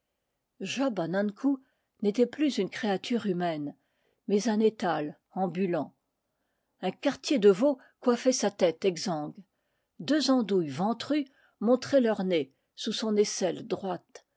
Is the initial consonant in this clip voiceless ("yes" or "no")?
no